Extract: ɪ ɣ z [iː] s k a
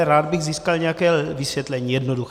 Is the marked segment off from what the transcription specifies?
no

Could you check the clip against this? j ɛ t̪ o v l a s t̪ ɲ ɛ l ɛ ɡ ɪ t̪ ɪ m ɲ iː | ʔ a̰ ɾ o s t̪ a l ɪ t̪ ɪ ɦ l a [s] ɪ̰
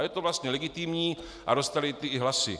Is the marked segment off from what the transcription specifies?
no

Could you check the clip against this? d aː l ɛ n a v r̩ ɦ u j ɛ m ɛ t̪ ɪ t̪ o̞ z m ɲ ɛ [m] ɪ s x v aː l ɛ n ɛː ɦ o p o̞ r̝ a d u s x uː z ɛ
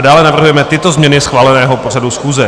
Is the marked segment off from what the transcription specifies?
yes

